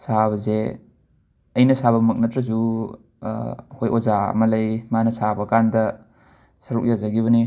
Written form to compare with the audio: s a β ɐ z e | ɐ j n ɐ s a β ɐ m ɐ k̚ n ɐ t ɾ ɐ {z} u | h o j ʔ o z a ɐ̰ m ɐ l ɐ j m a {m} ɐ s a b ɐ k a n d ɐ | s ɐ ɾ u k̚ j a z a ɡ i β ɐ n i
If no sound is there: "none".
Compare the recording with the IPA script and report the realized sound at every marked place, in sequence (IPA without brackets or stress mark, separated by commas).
z, n